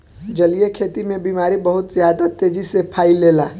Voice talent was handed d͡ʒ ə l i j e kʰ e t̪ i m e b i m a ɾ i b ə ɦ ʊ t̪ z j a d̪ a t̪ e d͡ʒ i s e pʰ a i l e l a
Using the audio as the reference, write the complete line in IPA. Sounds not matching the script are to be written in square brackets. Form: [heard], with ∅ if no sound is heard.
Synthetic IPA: d͡ʒ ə l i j e kʰ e t̪ i m e b i m a ɾ i b ə ɦ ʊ t̪ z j a d̪ a t̪ e d͡ʒ i s e pʰ a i l e l a